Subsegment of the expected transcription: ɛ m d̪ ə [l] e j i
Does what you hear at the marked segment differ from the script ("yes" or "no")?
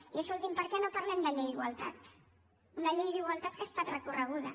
yes